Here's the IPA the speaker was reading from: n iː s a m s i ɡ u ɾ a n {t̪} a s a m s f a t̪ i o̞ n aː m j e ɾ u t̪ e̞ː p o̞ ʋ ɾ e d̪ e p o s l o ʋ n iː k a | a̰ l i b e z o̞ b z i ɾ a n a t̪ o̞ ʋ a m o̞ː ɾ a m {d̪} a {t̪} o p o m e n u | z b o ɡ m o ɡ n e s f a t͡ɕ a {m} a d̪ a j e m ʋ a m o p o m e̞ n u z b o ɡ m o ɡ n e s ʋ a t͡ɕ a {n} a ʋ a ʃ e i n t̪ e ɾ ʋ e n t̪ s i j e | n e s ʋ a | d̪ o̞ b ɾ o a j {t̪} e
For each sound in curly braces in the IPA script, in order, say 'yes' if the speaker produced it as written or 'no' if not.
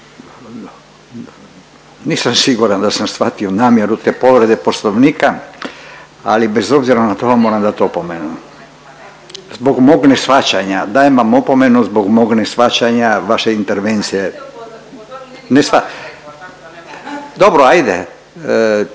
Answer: no, yes, yes, no, no, no

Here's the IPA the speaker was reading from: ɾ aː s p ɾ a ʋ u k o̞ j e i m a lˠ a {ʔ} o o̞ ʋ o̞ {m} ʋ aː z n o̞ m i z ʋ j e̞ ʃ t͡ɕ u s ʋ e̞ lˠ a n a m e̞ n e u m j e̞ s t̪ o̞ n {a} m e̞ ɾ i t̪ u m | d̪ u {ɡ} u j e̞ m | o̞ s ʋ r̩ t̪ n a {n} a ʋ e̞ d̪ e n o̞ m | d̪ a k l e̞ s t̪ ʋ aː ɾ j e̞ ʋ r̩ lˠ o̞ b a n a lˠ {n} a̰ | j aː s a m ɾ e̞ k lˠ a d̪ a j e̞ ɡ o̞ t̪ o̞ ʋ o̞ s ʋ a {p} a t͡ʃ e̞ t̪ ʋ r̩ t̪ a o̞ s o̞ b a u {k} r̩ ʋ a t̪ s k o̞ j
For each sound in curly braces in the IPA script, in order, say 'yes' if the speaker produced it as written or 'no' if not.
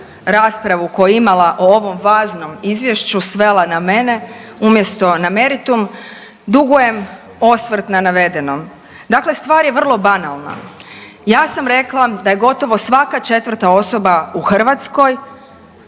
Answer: yes, yes, yes, yes, yes, yes, no, no

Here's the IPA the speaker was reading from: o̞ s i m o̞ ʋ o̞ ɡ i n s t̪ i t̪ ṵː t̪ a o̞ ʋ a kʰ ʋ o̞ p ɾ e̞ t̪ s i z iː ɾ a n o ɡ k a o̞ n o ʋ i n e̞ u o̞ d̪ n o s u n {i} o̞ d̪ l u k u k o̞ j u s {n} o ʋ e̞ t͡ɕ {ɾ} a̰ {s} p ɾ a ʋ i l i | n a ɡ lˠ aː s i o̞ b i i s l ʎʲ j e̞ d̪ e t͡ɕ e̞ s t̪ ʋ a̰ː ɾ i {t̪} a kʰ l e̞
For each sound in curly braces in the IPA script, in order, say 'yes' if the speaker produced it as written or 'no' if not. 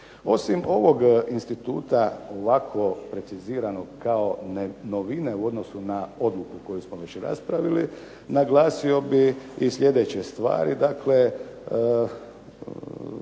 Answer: no, no, yes, yes, no

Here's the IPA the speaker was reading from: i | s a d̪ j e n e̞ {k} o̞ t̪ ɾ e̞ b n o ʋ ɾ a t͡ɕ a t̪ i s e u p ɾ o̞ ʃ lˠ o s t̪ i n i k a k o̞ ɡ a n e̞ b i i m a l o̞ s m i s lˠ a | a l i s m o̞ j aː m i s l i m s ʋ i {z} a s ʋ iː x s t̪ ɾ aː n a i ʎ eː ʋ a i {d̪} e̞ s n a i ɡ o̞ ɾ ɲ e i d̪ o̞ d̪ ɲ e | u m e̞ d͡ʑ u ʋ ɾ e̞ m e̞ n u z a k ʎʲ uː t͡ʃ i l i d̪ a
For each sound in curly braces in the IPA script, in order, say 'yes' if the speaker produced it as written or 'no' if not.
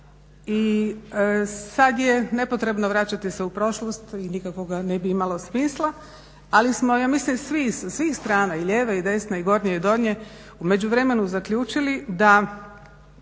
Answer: no, no, yes

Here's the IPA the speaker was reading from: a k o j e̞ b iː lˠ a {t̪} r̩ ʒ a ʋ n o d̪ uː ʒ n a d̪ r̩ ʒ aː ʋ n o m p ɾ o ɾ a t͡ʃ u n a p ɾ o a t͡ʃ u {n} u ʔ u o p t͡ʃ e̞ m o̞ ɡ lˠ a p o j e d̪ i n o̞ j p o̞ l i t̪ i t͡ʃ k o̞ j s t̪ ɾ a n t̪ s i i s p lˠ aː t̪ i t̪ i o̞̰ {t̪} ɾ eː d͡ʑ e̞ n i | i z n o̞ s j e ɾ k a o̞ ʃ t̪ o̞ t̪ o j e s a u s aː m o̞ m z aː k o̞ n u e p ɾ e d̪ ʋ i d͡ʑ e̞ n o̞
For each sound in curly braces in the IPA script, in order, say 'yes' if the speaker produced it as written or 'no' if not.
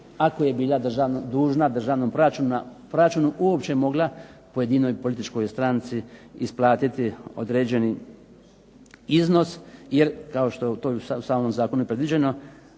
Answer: no, yes, no

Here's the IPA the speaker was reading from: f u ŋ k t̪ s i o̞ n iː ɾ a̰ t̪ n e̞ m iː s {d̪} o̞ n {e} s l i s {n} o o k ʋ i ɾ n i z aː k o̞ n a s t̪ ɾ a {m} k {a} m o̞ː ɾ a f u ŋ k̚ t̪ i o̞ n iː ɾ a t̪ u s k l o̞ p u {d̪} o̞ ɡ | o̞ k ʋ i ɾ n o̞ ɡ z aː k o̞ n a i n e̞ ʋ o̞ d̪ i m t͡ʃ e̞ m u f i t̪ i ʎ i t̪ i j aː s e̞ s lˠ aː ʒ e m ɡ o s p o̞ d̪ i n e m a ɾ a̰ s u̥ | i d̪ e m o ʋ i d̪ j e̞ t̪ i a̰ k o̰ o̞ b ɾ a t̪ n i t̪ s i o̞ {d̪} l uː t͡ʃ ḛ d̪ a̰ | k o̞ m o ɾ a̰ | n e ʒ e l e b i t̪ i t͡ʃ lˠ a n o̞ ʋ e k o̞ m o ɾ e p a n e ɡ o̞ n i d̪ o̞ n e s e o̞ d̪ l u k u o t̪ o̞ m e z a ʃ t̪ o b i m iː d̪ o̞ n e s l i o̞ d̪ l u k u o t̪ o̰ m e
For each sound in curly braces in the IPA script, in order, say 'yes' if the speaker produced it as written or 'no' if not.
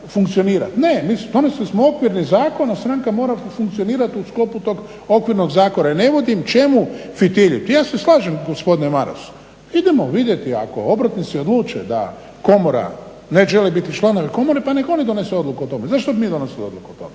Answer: yes, yes, no, no, yes, no, yes

